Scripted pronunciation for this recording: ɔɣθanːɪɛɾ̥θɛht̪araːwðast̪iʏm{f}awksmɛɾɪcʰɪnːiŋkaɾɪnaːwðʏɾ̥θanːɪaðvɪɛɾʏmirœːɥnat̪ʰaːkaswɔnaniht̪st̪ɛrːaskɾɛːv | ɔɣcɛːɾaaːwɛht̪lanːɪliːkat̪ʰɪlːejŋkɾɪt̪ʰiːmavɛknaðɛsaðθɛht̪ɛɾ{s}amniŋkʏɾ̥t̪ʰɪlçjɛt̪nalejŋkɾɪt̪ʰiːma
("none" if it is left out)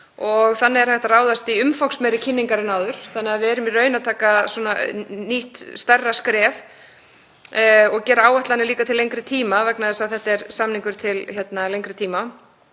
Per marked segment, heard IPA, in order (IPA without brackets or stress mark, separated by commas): f, s